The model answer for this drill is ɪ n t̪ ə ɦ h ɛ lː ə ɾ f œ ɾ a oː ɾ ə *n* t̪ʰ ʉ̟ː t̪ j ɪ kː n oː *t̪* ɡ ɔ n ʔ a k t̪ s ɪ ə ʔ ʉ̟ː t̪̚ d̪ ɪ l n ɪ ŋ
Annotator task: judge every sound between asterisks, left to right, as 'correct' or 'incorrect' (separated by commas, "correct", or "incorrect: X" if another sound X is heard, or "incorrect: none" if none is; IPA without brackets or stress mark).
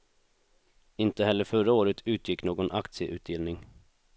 incorrect: none, incorrect: none